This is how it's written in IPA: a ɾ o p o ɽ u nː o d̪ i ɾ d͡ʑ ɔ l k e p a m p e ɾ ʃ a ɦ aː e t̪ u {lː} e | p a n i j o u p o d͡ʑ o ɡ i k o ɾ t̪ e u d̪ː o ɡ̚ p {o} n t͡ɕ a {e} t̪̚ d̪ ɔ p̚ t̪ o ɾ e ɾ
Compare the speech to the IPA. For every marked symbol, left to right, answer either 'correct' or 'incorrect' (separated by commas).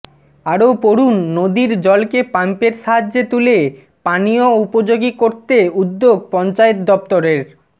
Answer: incorrect, incorrect, correct